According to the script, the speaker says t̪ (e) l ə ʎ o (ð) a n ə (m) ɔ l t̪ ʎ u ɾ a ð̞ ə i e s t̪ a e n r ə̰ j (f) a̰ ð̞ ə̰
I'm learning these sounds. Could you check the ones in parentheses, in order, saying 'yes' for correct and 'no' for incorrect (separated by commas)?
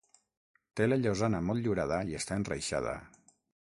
yes, no, yes, no